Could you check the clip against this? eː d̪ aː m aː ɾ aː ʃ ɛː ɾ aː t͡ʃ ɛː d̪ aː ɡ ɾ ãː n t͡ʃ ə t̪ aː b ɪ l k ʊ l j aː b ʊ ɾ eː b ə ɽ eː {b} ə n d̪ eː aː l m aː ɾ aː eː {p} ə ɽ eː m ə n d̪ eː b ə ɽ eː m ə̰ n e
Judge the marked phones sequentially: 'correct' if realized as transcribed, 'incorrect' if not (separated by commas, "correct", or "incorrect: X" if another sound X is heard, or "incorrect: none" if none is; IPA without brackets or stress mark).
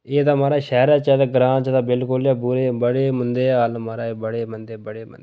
incorrect: m, incorrect: b